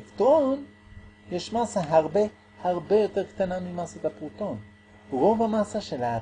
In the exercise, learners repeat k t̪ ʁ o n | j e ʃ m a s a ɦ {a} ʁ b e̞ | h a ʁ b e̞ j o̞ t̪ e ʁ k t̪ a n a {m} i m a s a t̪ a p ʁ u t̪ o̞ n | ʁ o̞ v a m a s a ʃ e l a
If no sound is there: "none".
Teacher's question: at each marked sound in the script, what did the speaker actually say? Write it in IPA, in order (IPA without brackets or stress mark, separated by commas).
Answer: a, m